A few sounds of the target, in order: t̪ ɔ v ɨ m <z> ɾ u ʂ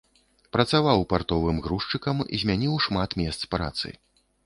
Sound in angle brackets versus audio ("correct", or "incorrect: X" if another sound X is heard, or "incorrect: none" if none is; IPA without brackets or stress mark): incorrect: ɣ